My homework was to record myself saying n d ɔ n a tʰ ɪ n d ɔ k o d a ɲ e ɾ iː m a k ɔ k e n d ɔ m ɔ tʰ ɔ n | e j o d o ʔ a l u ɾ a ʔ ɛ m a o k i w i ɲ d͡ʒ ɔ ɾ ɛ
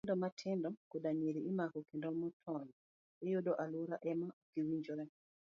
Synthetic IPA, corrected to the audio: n d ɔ m a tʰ ɪ n d ɔ k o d a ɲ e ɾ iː m a k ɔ k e n d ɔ m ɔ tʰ ɔ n | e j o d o ʔ a l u ɾ a ʔ ɛ m a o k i w i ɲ d͡ʒ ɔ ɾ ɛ